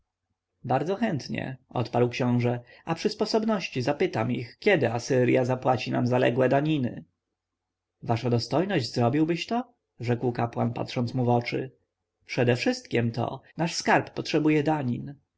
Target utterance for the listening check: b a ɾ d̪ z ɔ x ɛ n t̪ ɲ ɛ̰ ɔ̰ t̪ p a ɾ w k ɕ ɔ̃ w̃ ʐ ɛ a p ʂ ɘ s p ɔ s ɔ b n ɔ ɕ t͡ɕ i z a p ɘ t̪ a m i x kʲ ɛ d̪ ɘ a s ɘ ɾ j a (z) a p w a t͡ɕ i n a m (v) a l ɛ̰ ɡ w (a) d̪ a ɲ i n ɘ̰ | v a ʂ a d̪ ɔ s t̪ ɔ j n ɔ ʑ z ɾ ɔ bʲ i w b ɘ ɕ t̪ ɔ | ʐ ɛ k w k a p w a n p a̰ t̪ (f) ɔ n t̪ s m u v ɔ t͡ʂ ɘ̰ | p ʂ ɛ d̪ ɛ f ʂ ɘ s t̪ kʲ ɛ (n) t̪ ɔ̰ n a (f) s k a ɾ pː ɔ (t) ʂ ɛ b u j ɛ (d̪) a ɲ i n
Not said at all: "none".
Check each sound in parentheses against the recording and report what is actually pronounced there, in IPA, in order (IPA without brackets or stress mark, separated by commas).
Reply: z, z, ɛ, ʂ, m, ʂ, t, d̪